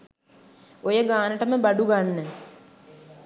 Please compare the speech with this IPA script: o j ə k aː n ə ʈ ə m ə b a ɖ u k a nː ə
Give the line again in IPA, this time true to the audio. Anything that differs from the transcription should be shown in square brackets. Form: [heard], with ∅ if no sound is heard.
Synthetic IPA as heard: o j ə [ɡ] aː n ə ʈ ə m ə b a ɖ u [ɡ] a nː ə